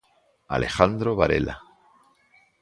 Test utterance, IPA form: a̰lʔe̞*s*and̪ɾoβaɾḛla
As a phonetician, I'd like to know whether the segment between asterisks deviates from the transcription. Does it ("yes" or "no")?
yes